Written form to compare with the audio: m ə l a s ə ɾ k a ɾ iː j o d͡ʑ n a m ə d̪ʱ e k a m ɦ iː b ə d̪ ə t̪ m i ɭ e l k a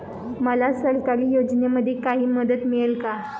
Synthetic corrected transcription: m ə l a s ə ɾ k a ɾ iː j o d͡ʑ n e m ə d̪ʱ e k a ɦ iː m ə d̪ ə t̪ m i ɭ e l k a